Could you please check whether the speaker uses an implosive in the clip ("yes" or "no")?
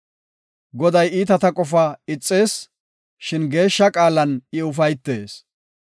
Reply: no